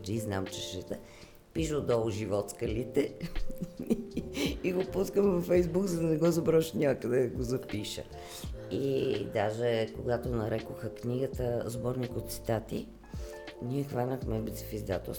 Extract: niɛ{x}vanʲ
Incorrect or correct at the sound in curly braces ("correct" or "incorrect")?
correct